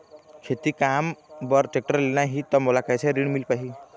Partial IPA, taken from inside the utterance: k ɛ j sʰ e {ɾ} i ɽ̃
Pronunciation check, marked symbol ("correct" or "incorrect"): correct